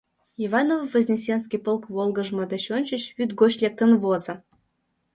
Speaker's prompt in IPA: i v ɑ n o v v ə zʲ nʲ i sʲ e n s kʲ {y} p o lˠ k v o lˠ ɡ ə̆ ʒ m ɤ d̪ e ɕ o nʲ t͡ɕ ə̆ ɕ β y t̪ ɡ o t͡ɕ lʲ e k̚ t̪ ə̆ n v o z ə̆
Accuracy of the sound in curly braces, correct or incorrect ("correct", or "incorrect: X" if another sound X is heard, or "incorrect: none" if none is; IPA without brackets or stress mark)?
incorrect: i